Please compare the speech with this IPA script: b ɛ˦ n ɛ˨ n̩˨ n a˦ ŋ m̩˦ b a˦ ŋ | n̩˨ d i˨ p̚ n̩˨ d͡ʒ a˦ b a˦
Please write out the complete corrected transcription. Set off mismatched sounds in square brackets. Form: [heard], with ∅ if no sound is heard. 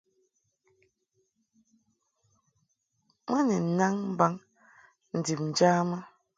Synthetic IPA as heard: [m] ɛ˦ n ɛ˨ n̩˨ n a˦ ŋ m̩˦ b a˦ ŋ | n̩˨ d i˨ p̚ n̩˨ d͡ʒ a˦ [m] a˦